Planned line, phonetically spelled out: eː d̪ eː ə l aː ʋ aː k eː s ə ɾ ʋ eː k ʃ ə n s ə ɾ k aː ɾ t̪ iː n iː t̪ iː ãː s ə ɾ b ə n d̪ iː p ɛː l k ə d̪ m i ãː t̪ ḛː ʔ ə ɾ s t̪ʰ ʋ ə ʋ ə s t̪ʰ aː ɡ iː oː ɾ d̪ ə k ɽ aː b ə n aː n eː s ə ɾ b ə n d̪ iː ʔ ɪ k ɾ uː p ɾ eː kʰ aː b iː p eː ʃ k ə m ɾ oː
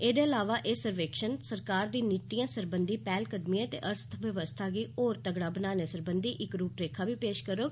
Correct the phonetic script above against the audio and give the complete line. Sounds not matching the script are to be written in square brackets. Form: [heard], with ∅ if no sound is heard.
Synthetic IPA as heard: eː d̪ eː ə l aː ʋ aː [ʔ] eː s ə ɾ ʋ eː k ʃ ə n s ə ɾ k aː ɾ [d̪] iː n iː t̪ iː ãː s ə ɾ b ə n d̪ iː p ɛː l k ə d̪ m i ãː t̪ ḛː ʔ ə ɾ s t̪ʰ ʋ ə ʋ ə s t̪ʰ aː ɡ iː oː ɾ [t̪] ə [ɡ] ɽ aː b ə n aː n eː s ə ɾ b ə n d̪ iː ʔ ɪ k ɾ uː p ɾ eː kʰ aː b iː p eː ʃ k ə [∅] ɾ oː